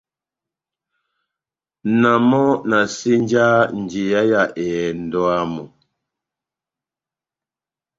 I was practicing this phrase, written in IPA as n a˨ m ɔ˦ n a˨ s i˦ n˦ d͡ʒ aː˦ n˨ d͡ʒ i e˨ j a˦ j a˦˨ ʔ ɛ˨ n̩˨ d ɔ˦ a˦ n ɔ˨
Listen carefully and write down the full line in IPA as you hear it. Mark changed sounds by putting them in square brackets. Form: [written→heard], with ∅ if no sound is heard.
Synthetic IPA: n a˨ m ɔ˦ n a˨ s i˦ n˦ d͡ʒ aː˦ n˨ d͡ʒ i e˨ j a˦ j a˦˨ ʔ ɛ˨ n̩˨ d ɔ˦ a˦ [n→m] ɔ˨